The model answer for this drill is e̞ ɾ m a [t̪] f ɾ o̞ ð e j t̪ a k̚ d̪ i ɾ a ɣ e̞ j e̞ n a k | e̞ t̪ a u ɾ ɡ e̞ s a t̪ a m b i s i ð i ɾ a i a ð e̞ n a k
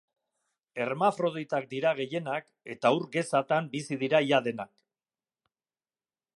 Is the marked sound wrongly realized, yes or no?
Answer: yes